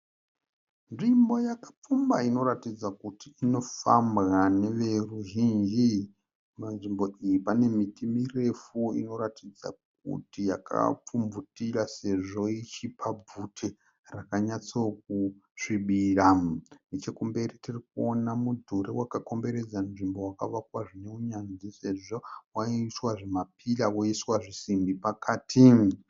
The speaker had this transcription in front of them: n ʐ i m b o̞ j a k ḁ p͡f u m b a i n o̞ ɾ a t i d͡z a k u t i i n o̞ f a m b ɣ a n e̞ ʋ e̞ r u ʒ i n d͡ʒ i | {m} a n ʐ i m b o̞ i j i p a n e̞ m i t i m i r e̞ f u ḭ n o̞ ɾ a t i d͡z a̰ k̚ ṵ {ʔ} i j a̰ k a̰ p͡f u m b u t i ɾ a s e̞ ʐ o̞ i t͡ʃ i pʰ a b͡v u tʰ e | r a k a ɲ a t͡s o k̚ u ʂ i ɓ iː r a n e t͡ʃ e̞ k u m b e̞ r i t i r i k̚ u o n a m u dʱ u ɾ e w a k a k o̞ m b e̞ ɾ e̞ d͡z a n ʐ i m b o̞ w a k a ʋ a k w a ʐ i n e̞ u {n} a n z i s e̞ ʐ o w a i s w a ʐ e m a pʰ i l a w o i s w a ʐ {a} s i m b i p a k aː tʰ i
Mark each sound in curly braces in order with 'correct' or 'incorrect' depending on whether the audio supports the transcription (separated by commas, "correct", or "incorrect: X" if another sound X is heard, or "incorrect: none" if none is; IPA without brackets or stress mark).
correct, incorrect: t, incorrect: ɲ, incorrect: i